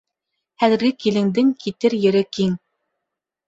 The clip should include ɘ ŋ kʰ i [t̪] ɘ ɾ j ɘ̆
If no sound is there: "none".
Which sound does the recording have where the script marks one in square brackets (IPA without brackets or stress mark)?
t̪